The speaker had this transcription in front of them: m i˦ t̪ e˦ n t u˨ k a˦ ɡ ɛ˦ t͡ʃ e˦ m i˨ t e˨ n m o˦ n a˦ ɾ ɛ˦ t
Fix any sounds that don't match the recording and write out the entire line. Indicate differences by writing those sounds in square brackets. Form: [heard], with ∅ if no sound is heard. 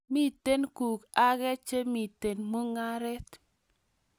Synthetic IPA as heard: m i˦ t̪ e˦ n [k] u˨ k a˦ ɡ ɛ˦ t͡ʃ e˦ m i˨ t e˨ n m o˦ [ŋ] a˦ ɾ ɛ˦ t